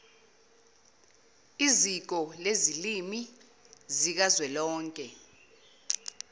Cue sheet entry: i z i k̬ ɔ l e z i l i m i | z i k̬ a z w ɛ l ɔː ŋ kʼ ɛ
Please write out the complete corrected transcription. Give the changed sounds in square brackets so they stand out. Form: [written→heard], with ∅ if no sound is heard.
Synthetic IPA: i z i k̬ ɔ l e z i l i m i | z i k̬ a z w ɛ l ɔː ŋ kʼ ɛ